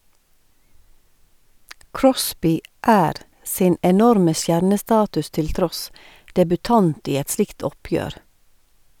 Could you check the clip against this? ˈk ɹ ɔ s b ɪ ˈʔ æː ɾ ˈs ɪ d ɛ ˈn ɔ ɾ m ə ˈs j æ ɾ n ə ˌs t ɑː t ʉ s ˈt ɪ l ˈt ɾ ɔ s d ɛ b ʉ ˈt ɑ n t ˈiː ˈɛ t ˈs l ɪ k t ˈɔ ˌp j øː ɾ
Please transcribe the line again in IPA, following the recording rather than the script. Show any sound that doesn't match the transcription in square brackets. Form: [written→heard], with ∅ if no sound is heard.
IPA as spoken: ˈk ɹ ɔ s b ɪ ˈʔ æː ɾ ˈs ɪ [d→n] ɛ ˈn ɔ ɾ m ə ˈs j æ ɾ n ə ˌs t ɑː t ʉ s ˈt ɪ l ˈt ɾ ɔ s d ɛ b ʉ ˈt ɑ n t ˈiː ˈɛ t ˈs l ɪ k t ˈɔ ˌp j øː ɾ